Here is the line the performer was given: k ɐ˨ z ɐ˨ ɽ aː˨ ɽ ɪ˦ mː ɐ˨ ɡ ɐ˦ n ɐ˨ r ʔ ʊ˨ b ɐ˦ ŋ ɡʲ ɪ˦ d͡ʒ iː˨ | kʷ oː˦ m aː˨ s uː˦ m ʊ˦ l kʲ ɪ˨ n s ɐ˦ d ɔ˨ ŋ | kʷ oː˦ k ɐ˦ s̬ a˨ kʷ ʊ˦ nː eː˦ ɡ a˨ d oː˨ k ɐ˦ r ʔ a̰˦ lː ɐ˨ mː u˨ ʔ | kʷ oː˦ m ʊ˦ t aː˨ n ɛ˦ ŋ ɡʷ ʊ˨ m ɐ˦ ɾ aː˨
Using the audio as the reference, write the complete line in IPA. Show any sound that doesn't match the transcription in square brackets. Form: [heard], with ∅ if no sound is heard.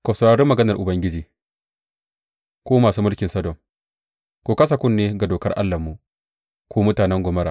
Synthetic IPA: k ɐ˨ [s] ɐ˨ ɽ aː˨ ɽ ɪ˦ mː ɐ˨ ɡ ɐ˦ n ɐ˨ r ʔ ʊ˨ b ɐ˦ ŋ ɡʲ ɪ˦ d͡ʒ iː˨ | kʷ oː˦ m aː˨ s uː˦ m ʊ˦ l kʲ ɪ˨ n s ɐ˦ d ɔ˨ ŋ | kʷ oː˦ k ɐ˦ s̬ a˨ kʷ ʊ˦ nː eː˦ ɡ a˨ d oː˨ k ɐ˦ r ʔ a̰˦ lː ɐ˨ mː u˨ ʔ | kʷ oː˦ m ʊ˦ t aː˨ n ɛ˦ ŋ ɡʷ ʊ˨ m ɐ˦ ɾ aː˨